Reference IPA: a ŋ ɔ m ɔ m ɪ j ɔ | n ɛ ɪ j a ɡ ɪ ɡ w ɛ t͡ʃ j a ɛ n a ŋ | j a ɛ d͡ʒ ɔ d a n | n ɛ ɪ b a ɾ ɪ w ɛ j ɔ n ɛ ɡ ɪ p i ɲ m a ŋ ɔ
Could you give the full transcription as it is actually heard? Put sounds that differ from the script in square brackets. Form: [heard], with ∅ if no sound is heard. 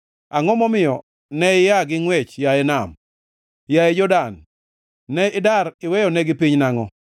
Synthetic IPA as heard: a ŋ ɔ m ɔ m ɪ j ɔ | n ɛ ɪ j a ɡ ɪ [ŋ] w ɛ t͡ʃ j a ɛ n a [m] | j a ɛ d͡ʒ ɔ d a n | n ɛ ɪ [d] a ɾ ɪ w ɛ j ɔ n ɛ ɡ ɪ p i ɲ [n] a ŋ ɔ